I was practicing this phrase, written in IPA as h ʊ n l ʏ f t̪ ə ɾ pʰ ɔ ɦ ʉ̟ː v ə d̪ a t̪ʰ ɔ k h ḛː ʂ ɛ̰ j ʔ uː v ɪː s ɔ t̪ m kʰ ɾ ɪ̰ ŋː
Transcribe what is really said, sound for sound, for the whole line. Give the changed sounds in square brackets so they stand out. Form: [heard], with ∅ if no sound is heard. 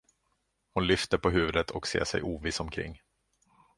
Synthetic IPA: h ʊ n l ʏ f t̪ ə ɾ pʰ ɔ ɦ ʉ̟ː v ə d̪ [ə] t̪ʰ ɔ k [s] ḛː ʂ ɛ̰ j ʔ uː v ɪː s ɔ [∅] m kʰ ɾ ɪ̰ ŋː